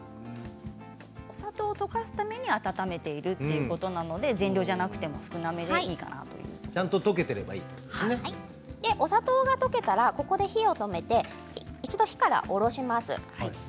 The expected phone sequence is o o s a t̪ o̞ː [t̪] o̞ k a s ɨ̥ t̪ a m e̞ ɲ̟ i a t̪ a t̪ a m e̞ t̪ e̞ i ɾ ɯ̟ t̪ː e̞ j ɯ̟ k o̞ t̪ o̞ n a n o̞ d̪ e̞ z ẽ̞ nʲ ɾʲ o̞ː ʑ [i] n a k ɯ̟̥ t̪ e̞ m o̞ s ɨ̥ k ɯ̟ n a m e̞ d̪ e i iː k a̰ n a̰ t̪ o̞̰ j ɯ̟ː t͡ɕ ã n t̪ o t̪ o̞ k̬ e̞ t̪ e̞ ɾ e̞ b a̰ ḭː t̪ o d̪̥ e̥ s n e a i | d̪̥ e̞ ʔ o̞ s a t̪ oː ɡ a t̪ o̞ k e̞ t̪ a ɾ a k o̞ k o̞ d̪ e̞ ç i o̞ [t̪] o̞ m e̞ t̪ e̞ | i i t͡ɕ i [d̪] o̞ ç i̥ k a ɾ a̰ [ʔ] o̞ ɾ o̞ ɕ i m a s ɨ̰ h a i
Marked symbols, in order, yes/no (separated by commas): yes, no, yes, yes, yes